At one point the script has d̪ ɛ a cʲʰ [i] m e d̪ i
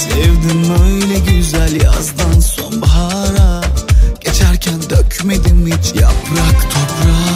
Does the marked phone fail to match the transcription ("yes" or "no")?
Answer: yes